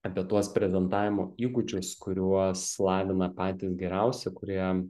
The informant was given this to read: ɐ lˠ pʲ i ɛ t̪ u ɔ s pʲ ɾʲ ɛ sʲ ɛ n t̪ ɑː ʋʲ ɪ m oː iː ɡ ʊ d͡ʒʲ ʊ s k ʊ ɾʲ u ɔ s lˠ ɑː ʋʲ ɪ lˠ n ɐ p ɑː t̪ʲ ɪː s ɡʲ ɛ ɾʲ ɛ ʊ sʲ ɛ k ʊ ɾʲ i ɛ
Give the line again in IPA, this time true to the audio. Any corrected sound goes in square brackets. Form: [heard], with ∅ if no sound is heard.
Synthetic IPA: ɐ [∅] pʲ i ɛ t̪ u ɔ s pʲ ɾʲ ɛ [zʲ] ɛ n t̪ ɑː ʋʲ ɪ m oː iː ɡ ʊ d͡ʒʲ ʊ s k ʊ ɾʲ u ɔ s lˠ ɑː ʋʲ ɪ [∅] n ɐ p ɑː t̪ʲ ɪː s ɡʲ ɛ ɾʲ ɛ ʊ sʲ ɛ k ʊ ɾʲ i ɛ